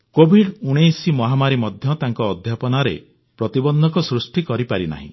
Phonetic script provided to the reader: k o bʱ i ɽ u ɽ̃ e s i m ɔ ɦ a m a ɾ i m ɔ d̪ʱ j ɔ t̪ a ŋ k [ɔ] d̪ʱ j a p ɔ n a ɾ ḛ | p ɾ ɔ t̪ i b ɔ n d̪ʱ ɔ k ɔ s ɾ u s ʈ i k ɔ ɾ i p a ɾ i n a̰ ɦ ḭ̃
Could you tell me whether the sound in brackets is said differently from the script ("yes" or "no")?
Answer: yes